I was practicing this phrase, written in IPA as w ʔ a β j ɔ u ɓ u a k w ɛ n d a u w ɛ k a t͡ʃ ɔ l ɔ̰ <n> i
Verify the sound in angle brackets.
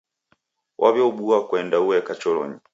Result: incorrect: ɲ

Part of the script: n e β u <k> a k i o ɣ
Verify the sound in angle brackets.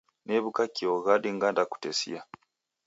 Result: correct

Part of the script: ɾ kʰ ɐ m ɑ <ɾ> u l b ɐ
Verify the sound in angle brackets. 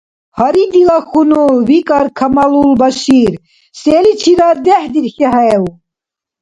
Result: incorrect: l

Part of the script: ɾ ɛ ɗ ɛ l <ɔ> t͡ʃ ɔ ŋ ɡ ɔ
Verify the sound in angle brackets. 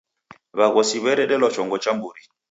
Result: correct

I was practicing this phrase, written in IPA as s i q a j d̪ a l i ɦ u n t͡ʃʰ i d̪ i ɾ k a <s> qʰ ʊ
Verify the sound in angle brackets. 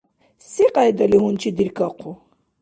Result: incorrect: none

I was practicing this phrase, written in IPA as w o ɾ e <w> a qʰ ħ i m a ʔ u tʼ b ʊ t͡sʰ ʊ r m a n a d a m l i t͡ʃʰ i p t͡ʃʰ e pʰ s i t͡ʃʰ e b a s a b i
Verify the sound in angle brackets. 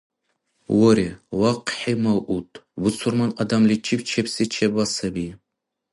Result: correct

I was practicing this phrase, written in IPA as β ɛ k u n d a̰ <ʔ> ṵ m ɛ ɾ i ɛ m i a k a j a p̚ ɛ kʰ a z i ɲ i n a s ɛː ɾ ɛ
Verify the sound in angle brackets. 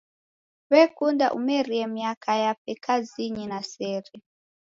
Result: correct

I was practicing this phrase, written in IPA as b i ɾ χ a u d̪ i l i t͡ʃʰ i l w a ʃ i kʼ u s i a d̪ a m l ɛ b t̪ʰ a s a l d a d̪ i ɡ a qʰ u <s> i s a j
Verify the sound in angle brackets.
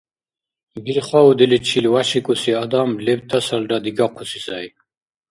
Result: correct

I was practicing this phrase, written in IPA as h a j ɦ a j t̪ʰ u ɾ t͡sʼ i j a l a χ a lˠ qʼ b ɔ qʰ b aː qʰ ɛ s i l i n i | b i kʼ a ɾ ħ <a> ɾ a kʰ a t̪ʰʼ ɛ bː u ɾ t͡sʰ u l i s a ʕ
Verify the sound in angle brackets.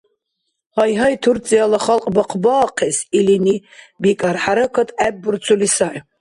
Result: correct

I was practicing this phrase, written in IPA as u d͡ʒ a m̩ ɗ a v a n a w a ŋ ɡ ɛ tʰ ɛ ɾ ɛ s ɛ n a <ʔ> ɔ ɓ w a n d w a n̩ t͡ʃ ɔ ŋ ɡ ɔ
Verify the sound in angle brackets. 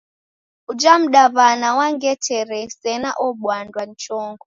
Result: correct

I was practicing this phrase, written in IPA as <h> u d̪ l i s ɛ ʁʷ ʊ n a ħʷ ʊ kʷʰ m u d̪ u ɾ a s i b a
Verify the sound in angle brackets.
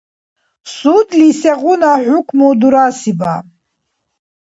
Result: incorrect: s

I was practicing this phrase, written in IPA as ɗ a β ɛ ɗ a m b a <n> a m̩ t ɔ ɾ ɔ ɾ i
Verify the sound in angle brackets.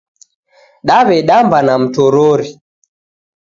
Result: correct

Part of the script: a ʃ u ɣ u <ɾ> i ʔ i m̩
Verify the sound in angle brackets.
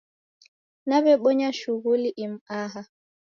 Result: incorrect: l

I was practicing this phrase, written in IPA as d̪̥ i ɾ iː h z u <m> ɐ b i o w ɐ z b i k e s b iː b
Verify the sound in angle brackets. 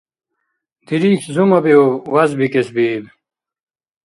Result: correct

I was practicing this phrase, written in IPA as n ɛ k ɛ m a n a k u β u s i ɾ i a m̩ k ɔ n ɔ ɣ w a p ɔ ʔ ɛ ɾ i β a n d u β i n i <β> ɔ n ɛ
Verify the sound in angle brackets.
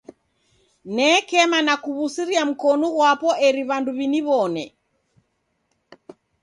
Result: correct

